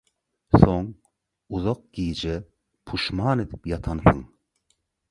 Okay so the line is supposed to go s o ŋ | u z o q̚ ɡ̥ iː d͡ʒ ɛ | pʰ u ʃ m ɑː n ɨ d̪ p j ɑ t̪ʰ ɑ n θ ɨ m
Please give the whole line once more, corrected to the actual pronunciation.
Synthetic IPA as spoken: s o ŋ | u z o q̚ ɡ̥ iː d͡ʒ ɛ | pʰ u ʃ m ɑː n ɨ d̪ p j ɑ t̪ʰ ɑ n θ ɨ ŋ